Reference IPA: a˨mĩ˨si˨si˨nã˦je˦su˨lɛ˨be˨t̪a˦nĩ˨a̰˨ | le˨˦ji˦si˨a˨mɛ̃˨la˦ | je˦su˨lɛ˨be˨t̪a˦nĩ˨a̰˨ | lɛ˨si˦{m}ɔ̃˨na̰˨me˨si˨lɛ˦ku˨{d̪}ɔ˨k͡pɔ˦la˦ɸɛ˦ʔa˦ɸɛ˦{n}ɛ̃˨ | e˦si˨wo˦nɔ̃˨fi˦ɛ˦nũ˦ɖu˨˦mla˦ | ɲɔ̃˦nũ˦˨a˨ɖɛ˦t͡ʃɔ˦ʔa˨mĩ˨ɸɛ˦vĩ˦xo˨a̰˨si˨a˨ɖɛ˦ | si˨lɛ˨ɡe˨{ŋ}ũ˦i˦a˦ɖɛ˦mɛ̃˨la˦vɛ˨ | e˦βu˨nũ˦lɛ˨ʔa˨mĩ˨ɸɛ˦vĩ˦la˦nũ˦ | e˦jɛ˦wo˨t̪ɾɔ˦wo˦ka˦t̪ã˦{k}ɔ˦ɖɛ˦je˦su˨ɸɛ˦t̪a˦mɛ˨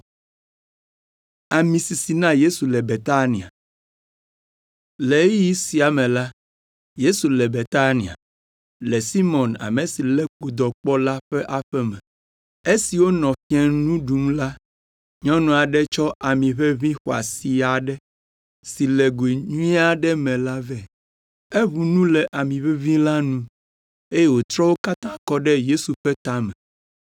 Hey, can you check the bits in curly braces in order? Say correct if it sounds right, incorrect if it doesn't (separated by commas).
correct, correct, incorrect, incorrect, correct